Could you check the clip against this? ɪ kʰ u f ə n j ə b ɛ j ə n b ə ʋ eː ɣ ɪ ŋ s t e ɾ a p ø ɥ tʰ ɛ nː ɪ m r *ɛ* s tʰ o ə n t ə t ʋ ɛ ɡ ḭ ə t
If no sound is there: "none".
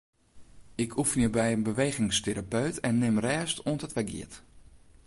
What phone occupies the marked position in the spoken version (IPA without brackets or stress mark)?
ɛː